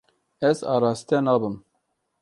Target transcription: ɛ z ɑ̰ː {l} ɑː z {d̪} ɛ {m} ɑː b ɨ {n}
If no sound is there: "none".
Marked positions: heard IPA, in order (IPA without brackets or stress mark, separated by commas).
ɾ, t̪, n, m